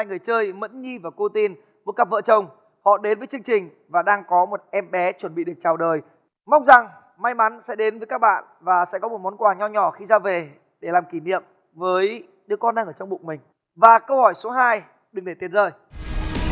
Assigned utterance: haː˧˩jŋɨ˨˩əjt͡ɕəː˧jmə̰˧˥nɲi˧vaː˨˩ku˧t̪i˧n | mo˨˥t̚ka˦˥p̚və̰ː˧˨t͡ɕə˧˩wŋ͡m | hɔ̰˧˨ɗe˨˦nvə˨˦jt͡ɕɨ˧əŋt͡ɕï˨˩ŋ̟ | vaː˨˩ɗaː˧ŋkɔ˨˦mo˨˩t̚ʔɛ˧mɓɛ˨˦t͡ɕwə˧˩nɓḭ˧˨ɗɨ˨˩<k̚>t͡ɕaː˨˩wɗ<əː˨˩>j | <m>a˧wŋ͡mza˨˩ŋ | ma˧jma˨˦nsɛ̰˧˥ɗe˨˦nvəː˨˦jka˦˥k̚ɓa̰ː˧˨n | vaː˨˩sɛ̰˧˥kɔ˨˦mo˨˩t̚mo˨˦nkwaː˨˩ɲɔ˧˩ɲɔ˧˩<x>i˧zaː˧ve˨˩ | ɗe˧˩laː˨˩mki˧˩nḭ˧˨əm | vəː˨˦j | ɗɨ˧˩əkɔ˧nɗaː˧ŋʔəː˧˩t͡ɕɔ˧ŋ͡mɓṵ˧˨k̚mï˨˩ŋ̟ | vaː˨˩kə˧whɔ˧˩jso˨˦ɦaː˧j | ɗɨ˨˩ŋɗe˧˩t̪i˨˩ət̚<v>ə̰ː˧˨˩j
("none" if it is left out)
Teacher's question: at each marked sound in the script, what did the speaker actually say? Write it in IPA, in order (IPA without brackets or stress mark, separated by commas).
k̚, əː˨˩, m, x, z